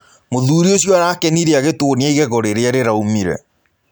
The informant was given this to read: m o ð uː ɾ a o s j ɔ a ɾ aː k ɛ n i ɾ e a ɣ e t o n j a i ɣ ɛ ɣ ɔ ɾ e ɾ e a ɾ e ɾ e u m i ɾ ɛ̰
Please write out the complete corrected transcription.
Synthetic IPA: m o ð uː ɾ i o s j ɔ a ɾ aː k ɛ n i ɾ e a ɣ e t o n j a i ɣ ɛ ɣ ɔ ɾ e ɾ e a ɾ e ɾ a u m i ɾ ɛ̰